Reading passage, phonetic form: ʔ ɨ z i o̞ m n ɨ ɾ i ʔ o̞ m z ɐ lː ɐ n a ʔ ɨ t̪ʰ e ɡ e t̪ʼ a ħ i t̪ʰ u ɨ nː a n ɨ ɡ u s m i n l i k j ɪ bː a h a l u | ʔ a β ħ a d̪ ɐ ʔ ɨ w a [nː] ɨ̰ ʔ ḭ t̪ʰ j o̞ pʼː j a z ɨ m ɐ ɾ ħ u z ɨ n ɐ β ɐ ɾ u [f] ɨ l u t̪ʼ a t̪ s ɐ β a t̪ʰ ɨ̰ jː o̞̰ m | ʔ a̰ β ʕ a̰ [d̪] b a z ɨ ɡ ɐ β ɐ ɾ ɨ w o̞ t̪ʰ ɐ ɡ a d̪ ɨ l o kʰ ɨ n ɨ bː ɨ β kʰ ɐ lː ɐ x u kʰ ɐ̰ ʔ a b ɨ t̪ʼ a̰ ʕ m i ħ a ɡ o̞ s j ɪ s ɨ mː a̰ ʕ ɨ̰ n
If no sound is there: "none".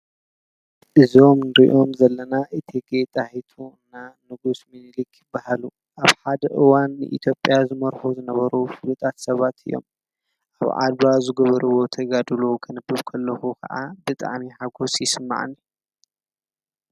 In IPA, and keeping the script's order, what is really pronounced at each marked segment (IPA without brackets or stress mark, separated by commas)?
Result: nː, f, d̪